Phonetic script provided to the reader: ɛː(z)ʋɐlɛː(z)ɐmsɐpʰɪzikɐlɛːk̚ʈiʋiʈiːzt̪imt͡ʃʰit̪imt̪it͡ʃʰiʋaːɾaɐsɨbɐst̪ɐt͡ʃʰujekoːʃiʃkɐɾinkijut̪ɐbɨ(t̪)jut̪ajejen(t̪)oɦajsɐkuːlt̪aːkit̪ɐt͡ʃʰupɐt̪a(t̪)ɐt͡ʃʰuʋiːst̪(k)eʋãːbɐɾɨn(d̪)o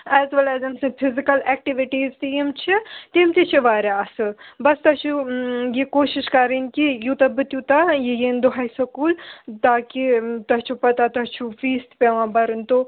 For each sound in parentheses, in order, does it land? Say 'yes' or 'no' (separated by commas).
yes, yes, yes, no, yes, no, no